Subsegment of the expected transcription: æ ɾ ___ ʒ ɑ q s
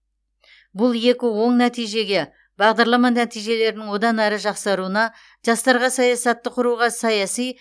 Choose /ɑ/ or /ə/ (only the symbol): ə